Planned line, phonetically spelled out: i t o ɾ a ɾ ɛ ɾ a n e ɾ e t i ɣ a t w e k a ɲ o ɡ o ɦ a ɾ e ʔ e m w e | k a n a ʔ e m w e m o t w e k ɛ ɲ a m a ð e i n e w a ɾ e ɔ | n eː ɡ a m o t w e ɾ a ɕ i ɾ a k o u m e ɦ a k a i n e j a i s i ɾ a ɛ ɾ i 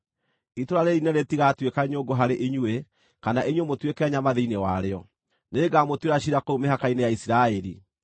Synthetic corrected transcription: i t o ɾ a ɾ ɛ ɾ i n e ɾ e t i ɣ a t w e k a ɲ o ɡ o ɦ a ɾ e ʔ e ɲ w e | k a n a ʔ e ɲ w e m o t w e k ɛ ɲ a m a ð e i n e w a ɾ e ɔ | n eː ɡ a m o t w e ɾ a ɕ i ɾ a k o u m e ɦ a k a i n e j a i s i ɾ a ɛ ɾ i